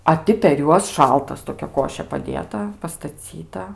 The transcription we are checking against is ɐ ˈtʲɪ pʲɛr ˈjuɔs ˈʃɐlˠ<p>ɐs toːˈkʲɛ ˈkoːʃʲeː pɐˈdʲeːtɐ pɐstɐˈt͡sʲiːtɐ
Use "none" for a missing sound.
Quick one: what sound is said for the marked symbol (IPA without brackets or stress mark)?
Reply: t